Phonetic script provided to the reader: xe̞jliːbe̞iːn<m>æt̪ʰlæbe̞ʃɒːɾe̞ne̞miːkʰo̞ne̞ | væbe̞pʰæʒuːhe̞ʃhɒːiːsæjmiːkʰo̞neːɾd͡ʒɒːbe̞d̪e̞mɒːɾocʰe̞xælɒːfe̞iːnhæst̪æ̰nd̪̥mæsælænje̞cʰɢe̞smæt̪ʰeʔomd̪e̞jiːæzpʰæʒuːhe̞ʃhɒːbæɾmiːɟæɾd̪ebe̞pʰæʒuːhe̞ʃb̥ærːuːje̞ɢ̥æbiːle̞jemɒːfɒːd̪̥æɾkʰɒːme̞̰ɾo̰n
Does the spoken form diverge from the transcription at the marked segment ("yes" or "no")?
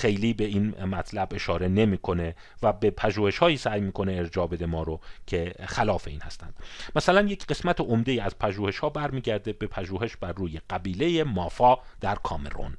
no